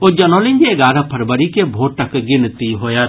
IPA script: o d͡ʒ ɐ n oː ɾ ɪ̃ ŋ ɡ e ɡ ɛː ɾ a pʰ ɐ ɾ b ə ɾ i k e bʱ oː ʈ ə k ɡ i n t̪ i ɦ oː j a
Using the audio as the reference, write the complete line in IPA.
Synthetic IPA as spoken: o d͡ʒ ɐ n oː l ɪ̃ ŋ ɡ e ɡ aː ɾ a pʰ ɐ ɾ b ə ɾ i k e bʱ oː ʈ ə k ɡ ɪ n t̪ i ɦ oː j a